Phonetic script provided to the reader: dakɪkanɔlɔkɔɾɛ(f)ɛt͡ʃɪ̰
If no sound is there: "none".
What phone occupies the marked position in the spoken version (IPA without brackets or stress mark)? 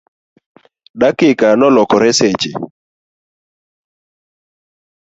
s